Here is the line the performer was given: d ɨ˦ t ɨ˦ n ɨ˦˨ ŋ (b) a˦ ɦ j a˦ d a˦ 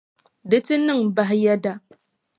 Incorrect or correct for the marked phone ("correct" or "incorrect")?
correct